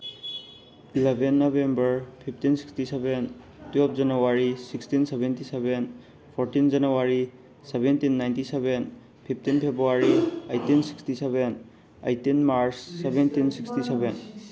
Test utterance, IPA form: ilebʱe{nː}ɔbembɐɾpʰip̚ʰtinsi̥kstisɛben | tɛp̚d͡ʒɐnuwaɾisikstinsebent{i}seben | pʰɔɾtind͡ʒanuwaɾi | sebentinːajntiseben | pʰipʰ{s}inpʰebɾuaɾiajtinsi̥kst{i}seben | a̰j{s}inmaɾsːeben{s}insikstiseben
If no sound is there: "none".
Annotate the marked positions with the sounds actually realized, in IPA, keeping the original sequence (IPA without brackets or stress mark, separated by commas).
nː, i, t, i, t, t